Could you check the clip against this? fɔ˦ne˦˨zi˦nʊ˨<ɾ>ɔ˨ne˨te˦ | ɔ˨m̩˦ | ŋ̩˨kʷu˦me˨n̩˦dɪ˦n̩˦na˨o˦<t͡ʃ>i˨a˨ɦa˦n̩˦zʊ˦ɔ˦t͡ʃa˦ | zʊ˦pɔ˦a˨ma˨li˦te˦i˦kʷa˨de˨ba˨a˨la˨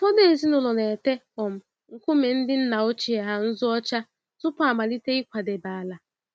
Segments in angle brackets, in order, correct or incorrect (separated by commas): incorrect, correct